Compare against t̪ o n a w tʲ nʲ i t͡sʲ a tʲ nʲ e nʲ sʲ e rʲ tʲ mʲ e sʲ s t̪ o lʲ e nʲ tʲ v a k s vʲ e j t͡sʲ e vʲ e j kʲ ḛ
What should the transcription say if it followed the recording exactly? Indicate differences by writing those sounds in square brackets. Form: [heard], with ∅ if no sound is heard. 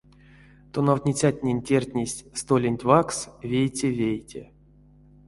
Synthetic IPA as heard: t̪ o n a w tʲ nʲ i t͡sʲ a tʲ nʲ e nʲ [tʲ] e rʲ tʲ [nʲ] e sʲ s t̪ o lʲ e nʲ tʲ v a k s vʲ e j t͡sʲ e vʲ e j [tʲ] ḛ